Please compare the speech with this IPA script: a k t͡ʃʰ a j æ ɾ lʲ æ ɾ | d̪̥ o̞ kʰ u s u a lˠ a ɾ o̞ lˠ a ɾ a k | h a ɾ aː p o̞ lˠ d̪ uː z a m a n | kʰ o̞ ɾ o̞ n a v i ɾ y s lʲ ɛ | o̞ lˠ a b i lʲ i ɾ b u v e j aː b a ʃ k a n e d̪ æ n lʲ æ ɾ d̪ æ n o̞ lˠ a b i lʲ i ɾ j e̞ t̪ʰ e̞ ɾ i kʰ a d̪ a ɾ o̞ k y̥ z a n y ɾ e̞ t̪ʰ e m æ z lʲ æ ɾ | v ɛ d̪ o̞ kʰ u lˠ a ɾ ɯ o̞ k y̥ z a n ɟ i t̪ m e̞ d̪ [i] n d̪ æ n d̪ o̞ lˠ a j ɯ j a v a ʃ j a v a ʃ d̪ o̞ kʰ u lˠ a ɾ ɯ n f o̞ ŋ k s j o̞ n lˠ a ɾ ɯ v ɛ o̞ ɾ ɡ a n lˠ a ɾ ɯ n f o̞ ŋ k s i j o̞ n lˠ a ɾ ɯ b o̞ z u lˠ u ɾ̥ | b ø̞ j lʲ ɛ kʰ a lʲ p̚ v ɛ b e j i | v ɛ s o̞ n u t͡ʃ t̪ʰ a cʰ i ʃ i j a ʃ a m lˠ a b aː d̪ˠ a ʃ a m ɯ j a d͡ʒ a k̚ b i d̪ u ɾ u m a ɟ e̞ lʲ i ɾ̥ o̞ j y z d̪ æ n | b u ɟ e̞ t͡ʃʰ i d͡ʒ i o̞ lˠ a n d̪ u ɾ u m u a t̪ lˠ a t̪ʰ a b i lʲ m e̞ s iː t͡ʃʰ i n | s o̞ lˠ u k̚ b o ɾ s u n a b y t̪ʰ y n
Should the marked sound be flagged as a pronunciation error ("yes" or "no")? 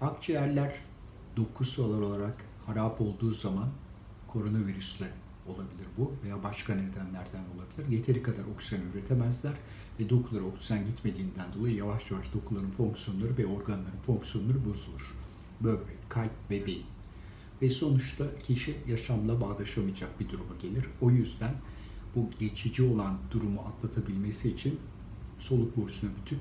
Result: yes